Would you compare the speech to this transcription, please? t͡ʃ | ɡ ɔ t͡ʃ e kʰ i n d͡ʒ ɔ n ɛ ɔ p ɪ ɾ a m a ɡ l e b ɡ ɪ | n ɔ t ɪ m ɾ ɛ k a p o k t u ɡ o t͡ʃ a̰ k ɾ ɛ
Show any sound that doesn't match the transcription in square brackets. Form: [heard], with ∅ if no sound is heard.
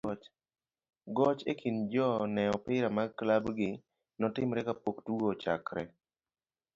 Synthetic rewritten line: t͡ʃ | ɡ ɔ t͡ʃ e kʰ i n d͡ʒ ɔ n ɛ ɔ p ɪ ɾ a m a [k] l [a] b ɡ ɪ | n ɔ t ɪ m ɾ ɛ k a p o k t u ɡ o t͡ʃ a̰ k ɾ ɛ